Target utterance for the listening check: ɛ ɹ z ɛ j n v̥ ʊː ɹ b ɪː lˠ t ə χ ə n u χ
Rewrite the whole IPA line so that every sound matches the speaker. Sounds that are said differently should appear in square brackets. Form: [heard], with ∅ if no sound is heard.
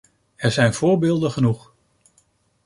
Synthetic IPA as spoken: ɛ ɹ z ɛ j n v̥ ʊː ɹ b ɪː lˠ [d] ə χ ə n u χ